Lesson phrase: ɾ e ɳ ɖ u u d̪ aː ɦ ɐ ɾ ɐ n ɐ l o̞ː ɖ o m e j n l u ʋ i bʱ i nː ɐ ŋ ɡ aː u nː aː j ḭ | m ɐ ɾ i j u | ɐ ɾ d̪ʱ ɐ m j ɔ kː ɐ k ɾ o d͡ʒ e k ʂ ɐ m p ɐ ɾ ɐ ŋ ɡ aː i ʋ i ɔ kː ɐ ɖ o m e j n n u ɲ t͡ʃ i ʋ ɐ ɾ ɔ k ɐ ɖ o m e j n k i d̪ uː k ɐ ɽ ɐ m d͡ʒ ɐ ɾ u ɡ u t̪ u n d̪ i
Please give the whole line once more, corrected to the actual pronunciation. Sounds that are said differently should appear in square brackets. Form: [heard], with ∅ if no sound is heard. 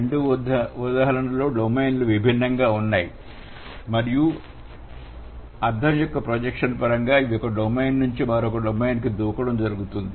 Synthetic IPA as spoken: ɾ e ɳ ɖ u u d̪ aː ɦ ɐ ɾ ɐ n ɐ l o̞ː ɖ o m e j n l u ʋ i bʱ i nː ɐ ŋ ɡ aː u nː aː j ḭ | m ɐ ɾ i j u | ɐ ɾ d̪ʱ ɐ m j ɔ kː ɐ [p] ɾ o d͡ʒ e k ʂ ɐ [n] p ɐ ɾ ɐ ŋ ɡ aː i ʋ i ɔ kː ɐ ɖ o m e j n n u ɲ t͡ʃ i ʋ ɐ ɾ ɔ k ɐ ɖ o m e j n k i d̪ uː k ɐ ɽ ɐ m d͡ʒ ɐ ɾ u ɡ u t̪ u n d̪ i

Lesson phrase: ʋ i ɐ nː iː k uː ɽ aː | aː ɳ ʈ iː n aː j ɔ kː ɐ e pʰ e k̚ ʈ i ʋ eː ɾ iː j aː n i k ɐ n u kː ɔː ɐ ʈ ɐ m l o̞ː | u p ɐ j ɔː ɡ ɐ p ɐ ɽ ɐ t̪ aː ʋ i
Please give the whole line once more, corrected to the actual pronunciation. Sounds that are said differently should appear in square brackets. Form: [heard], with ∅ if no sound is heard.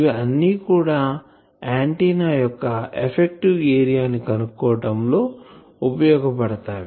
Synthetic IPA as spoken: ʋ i ɐ nː iː k uː ɽ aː | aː ɳ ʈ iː n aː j ɔ kː ɐ e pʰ e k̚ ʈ i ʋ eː ɾ [i] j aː n i k ɐ n u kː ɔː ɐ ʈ ɐ m l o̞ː | u p ɐ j ɔː ɡ ɐ p ɐ ɽ ɐ t̪ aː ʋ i

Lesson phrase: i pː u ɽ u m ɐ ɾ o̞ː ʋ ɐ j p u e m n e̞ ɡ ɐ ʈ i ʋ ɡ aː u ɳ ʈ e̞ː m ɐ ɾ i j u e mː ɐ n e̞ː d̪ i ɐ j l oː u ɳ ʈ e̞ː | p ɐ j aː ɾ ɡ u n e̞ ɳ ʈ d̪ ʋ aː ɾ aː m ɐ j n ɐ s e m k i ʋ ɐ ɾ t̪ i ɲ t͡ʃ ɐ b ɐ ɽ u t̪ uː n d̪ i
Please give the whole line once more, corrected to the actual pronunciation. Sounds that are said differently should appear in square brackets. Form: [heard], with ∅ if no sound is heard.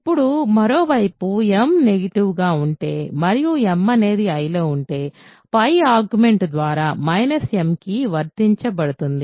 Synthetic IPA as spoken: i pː u ɽ u m ɐ ɾ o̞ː ʋ ɐ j p u e m n e̞ ɡ ɐ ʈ i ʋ ɡ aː u ɳ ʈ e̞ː m ɐ ɾ i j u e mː ɐ n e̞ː d̪ i ɐ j l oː u ɳ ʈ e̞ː | p ɐ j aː ɾ ɡ u [m] e̞ ɳ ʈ d̪ ʋ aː ɾ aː m ɐ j n ɐ s e m k i ʋ ɐ ɾ t̪ i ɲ t͡ʃ ɐ b ɐ ɽ u t̪ [u] n d̪ i

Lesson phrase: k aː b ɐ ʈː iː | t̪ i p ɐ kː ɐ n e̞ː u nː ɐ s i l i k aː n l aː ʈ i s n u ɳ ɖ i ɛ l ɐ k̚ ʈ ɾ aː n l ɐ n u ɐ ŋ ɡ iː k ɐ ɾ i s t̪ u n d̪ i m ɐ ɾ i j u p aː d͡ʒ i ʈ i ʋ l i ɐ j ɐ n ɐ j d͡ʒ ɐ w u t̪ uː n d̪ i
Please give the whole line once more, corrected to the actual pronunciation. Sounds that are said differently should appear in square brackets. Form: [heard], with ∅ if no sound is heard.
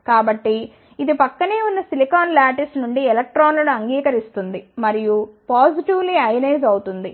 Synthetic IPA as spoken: k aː b ɐ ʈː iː | [d̪] i p ɐ kː ɐ n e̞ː u nː ɐ s i l i k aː n l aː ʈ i s n u ɳ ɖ i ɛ l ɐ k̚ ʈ ɾ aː n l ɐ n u ɐ ŋ ɡ iː k ɐ ɾ i s t̪ u n d̪ i m ɐ ɾ i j u p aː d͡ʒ i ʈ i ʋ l i ɐ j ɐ n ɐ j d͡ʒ ɐ w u t̪ [u] n d̪ i

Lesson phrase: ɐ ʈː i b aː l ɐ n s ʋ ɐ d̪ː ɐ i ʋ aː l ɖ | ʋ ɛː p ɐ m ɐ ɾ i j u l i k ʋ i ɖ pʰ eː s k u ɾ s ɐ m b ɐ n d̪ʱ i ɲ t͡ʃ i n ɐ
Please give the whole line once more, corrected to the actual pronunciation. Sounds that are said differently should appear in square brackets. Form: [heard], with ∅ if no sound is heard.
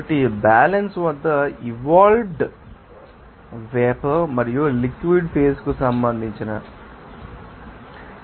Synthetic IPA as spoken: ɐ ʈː i b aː l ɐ n s ʋ ɐ d̪ː ɐ i ʋ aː l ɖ | ʋ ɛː p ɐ m ɐ ɾ i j u l i k ʋ i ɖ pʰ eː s k u [∅] s ɐ m b ɐ n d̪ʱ i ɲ t͡ʃ i n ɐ

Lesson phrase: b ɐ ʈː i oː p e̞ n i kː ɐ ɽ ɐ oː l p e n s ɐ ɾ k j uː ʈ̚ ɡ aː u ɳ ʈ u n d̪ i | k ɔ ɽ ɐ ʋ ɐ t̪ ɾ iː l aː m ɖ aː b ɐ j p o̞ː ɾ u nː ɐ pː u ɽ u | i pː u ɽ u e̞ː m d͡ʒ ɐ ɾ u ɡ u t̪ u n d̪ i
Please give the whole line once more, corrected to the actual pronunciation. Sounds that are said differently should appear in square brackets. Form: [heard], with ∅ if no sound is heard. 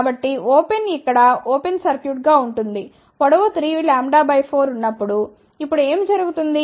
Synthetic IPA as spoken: b ɐ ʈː i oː p e̞ n i kː ɐ ɽ ɐ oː [∅] p e n s ɐ ɾ k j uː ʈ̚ ɡ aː u ɳ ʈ u n d̪ i | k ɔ ɽ ɐ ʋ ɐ t̪ ɾ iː l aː m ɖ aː b ɐ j [pʰ] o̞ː ɾ u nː ɐ pː u ɽ u | i pː u ɽ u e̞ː m d͡ʒ ɐ ɾ u ɡ u t̪ u n d̪ i

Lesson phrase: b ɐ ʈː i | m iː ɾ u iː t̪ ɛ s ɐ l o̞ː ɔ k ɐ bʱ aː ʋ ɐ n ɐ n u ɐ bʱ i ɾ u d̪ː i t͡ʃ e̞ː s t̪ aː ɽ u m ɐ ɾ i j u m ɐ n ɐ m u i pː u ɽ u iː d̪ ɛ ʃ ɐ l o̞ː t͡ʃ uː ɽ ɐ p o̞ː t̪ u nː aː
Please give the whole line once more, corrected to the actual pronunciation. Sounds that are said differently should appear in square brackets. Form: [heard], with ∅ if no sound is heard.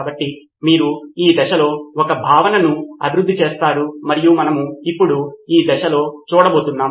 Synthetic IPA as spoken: b ɐ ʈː i | m iː ɾ u iː [d̪] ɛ [ʃ] ɐ l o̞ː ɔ k ɐ bʱ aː ʋ ɐ n ɐ n u ɐ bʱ i ɾ u d̪ː i t͡ʃ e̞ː s t̪ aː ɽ u m ɐ ɾ i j u m ɐ n ɐ m u i pː u ɽ u iː d̪ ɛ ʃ ɐ l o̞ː t͡ʃ uː ɽ ɐ [b] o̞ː t̪ u nː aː

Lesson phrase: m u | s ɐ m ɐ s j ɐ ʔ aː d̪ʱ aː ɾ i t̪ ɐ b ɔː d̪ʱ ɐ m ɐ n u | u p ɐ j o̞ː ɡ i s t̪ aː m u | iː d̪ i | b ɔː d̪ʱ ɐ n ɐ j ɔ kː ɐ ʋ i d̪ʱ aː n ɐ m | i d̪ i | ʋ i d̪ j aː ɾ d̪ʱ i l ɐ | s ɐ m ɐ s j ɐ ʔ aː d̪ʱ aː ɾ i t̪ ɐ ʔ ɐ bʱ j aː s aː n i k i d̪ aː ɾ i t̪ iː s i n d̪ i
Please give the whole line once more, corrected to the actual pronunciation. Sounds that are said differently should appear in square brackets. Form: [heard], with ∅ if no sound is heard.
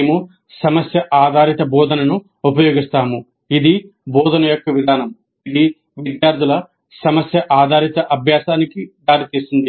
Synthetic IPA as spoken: m u | s ɐ m ɐ s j ɐ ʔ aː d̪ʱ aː ɾ i t̪ ɐ b ɔː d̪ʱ ɐ [n] ɐ n u | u p ɐ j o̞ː ɡ i s t̪ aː m u | [i] d̪ i | b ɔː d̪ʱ ɐ n ɐ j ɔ kː ɐ ʋ i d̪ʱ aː n ɐ m | i d̪ i | ʋ i d̪ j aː ɾ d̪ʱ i l ɐ | s ɐ m ɐ s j ɐ ʔ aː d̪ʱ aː ɾ i t̪ ɐ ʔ ɐ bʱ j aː s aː n i k i d̪ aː ɾ i t̪ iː s i n d̪ i

